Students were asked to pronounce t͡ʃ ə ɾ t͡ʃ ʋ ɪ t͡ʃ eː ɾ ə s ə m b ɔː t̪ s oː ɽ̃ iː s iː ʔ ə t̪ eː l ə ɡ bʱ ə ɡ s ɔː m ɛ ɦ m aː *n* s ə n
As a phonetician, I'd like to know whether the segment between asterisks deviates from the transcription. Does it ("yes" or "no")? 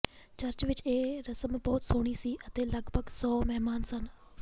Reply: no